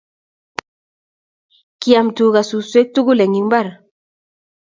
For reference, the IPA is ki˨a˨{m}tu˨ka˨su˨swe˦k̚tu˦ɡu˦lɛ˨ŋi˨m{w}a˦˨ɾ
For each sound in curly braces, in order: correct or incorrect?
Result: correct, incorrect: b

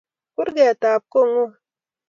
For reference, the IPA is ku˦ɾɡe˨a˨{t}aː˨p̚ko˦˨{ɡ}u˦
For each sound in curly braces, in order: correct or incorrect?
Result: correct, incorrect: ŋ

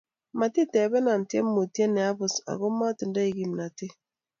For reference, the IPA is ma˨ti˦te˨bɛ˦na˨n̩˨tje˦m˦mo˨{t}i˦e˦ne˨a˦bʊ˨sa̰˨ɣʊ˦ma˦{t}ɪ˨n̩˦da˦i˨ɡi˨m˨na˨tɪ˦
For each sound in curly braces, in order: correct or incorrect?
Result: correct, correct

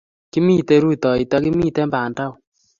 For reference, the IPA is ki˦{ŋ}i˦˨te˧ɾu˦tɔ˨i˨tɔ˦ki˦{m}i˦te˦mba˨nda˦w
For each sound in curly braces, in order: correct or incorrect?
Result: incorrect: m, correct

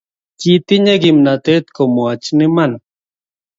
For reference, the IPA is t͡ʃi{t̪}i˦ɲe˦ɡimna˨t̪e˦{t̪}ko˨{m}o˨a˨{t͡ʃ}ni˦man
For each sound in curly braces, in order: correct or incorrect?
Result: correct, correct, correct, correct

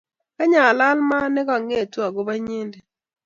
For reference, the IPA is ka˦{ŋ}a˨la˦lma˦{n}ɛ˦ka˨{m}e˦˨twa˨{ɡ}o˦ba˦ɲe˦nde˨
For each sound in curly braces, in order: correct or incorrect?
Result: incorrect: ɲ, correct, incorrect: ŋ, correct

